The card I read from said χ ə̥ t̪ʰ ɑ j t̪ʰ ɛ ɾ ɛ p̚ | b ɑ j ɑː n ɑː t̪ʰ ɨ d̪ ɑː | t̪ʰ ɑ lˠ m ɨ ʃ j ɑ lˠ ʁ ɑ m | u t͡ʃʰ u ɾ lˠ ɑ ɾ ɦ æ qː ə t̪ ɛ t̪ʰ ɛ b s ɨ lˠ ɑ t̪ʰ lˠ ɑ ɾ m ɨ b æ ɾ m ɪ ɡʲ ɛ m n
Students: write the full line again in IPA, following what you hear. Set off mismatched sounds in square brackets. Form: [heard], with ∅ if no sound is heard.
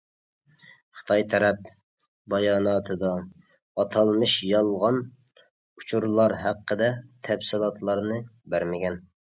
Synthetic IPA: χ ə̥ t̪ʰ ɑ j t̪ʰ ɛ ɾ ɛ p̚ | b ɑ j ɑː n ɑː t̪ʰ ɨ d̪ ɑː | t̪ʰ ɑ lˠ m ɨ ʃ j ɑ lˠ ʁ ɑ [n] | u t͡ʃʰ u ɾ lˠ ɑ ɾ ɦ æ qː ə [d̪] ɛ t̪ʰ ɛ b s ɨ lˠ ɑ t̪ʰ lˠ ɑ ɾ [n] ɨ b æ ɾ m ɪ ɡʲ ɛ [∅] n